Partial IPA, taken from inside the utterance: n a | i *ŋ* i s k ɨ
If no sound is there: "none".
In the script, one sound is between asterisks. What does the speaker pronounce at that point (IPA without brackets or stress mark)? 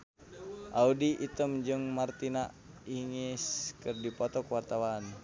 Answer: ŋ